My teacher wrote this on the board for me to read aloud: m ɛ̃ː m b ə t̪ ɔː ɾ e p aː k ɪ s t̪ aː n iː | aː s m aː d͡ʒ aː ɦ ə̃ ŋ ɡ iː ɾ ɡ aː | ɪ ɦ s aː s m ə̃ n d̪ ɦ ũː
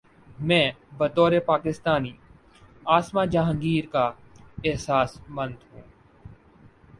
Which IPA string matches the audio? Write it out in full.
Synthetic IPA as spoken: m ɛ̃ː b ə t̪ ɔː ɾ e p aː k ɪ s t̪ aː n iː | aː s m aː d͡ʒ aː ɦ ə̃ ŋ ɡ iː ɾ k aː | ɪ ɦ s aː s m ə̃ n d̪ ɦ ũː